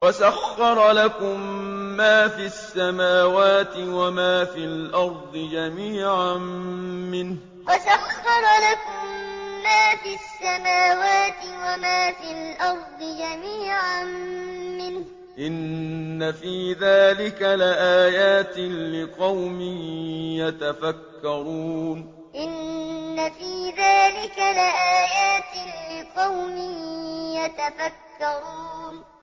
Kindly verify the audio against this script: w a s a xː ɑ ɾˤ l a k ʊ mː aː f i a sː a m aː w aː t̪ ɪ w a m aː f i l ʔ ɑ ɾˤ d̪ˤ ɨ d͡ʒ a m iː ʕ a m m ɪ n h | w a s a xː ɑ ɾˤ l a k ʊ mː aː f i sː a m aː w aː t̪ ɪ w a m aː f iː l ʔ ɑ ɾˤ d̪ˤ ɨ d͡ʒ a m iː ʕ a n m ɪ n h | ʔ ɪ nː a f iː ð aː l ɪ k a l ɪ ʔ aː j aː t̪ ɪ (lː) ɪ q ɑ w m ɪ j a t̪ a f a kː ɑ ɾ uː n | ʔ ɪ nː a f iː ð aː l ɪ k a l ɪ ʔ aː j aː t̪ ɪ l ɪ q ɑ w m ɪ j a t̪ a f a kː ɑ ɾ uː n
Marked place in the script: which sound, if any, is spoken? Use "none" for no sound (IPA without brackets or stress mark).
l